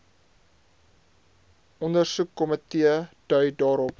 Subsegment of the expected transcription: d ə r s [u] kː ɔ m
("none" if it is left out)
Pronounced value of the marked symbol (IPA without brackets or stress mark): u